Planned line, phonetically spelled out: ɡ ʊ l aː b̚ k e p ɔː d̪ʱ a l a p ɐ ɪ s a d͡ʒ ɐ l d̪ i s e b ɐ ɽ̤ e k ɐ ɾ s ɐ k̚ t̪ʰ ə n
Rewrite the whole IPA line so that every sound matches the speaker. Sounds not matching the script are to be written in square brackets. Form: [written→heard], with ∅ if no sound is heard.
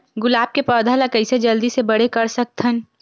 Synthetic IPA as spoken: ɡ ʊ l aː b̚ k e p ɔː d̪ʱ a l a [p→k] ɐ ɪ s [a→e] d͡ʒ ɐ l d̪ i s e b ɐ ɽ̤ e k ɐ ɾ s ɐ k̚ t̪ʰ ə n